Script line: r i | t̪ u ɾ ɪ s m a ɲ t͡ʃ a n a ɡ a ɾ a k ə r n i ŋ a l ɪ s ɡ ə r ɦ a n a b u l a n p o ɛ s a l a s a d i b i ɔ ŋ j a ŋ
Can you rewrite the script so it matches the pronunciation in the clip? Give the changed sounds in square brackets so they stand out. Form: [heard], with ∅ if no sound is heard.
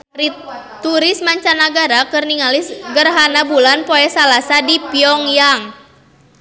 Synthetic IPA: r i | t̪ u ɾ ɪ s m a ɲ t͡ʃ a n a ɡ a ɾ a k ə r n i ŋ a l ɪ s ɡ ə r ɦ a n a b u l a n p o ɛ s a l a s a d i [p] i ɔ ŋ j a ŋ